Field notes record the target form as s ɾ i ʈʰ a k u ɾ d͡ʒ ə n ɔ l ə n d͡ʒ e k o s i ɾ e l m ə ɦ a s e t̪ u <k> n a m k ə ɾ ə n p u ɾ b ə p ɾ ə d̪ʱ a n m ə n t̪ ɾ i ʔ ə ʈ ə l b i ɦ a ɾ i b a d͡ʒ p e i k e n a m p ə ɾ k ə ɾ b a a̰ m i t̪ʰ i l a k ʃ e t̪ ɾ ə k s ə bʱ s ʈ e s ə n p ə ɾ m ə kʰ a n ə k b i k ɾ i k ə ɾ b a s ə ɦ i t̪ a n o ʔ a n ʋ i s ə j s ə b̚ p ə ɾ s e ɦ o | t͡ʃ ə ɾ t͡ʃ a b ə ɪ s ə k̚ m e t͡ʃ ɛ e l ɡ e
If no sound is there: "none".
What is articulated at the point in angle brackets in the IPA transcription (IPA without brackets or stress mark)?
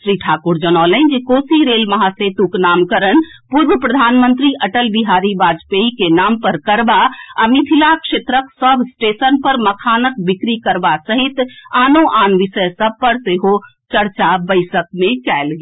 k